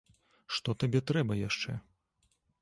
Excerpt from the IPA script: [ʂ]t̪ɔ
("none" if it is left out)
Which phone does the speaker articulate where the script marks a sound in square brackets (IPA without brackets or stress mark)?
ʂ